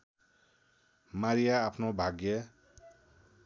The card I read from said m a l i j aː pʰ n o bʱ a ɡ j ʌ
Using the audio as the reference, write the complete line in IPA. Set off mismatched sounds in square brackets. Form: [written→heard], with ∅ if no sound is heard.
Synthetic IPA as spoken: m a [l→ɾ] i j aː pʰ n o bʱ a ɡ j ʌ